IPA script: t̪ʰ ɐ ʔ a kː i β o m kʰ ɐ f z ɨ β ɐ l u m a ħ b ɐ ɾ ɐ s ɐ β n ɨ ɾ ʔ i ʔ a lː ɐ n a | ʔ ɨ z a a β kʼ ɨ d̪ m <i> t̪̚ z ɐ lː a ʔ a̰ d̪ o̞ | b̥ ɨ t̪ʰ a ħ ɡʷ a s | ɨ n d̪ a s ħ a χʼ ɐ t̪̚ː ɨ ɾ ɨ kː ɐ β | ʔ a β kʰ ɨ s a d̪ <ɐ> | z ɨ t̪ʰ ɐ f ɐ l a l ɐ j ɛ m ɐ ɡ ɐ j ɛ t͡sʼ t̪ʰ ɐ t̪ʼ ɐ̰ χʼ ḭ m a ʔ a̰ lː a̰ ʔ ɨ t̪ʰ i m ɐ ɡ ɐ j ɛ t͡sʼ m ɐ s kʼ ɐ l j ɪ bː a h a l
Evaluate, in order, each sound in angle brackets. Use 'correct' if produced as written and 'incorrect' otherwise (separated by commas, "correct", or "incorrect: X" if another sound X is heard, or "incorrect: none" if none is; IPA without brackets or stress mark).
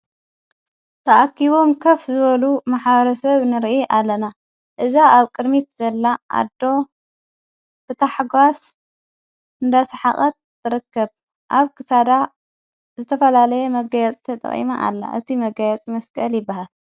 correct, incorrect: a